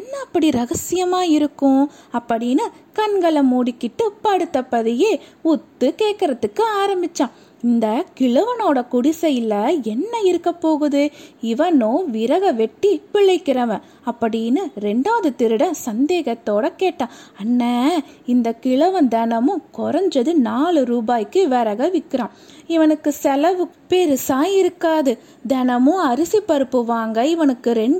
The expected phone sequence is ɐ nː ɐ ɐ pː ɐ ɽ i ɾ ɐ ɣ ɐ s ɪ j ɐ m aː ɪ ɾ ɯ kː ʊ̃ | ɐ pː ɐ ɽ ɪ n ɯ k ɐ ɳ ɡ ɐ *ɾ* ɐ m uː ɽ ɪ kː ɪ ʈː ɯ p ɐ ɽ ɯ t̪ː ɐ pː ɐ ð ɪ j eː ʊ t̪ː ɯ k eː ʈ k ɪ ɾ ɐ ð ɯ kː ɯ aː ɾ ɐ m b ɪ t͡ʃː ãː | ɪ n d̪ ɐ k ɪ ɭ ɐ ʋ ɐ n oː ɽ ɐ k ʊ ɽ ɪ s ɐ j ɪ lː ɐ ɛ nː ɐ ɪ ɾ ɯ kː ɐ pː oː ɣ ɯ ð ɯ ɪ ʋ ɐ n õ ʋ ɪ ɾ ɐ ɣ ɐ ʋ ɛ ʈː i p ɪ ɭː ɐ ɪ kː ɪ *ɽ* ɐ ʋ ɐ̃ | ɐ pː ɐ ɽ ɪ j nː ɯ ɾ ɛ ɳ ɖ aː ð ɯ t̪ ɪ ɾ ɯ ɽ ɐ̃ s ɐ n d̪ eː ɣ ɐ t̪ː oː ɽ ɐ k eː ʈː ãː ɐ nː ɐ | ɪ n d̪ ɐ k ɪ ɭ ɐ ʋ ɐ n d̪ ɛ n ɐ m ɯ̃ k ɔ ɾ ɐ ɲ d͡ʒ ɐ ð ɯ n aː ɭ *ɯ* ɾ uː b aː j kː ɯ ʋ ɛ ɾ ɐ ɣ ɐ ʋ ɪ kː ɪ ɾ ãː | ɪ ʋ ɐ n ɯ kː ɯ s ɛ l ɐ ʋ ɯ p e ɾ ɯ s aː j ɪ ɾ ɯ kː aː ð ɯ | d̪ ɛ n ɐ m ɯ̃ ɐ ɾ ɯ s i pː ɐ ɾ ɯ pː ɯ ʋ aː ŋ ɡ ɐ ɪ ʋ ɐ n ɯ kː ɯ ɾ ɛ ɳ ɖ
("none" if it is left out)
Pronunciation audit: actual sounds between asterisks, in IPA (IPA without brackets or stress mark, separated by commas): ɭ, ɾ, ɯ